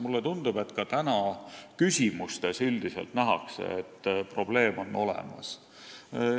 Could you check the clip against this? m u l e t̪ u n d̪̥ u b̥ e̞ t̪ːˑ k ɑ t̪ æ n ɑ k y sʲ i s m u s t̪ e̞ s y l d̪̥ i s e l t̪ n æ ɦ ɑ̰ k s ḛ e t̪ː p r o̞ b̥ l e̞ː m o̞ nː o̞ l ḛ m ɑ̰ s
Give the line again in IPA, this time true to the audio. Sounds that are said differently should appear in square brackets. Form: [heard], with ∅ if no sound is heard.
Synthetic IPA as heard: m u [lː] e t̪ u n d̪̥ u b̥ e̞ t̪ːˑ k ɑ t̪ æ n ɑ k y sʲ i [∅] m u s t̪ e̞ s y l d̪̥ i s e l t̪ n æ ɦ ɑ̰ k s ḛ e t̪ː p r o̞ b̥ l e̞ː m o̞ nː o̞ l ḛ m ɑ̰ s